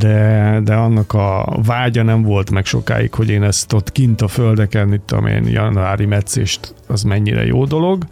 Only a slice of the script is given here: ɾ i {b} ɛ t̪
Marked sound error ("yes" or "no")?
yes